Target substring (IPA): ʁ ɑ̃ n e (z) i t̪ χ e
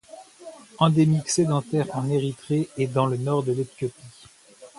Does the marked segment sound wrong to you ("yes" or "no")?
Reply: yes